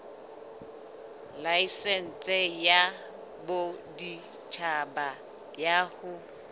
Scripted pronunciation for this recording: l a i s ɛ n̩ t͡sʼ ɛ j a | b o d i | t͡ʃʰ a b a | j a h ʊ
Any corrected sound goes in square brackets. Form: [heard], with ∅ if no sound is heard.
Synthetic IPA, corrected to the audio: l a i s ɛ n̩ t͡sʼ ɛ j a | b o d i | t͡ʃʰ a b a | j a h ʊ